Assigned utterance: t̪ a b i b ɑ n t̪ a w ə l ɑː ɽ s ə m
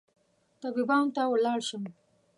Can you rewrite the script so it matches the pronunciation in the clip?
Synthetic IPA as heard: t̪ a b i b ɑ n t̪ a w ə l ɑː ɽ ʃ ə m